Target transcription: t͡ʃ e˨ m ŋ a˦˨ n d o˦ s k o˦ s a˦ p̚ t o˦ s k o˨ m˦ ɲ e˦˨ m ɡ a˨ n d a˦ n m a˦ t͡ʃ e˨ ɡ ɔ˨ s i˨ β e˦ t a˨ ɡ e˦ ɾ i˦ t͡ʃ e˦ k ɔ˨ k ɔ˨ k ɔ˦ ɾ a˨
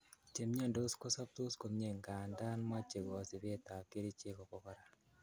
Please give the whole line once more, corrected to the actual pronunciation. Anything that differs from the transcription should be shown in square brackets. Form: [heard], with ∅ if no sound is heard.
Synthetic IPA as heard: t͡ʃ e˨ m [ɲ] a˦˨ n d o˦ s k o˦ s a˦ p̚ t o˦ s k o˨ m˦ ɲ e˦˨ [ŋ] ɡ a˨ n d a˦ n m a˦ t͡ʃ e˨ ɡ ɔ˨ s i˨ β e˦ t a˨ [k] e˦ ɾ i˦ t͡ʃ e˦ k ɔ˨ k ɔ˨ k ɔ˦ ɾ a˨